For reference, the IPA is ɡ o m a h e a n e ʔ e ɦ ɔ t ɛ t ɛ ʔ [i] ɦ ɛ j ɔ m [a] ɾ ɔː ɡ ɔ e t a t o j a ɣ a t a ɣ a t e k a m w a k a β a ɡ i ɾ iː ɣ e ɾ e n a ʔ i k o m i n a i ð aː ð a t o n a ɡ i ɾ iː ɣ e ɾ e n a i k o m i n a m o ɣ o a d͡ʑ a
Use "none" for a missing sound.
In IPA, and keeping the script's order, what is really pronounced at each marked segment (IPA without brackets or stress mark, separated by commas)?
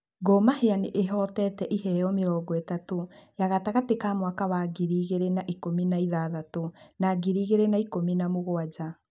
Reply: i, e